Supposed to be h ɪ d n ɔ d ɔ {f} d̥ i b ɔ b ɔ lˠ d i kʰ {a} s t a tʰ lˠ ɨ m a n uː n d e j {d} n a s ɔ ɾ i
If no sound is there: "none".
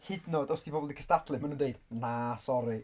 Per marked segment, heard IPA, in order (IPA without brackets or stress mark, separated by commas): s, ə, d